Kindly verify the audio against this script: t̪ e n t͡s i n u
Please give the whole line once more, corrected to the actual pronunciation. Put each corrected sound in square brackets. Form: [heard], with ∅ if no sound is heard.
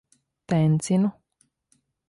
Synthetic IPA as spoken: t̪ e n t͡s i n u